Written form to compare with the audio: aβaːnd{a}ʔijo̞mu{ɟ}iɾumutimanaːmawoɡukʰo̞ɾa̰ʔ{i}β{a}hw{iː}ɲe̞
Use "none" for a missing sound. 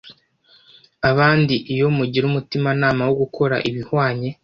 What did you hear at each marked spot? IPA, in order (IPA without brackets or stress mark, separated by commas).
i, ɟ, i, i, aː